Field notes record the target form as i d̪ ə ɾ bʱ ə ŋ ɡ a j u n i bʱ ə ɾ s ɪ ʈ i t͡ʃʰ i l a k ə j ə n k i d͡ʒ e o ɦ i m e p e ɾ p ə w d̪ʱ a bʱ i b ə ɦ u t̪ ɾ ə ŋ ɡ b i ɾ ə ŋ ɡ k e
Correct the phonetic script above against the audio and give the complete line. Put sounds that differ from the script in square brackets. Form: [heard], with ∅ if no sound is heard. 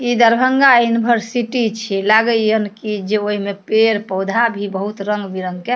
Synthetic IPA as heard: i d̪ ə ɾ bʱ ə ŋ ɡ a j u n i bʱ ə ɾ s [i] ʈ i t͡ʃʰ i l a [ɡ] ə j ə n k i d͡ʒ e o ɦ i m e p e ɾ p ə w d̪ʱ a bʱ i b ə ɦ u t̪ ɾ ə ŋ ɡ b i ɾ ə ŋ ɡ k e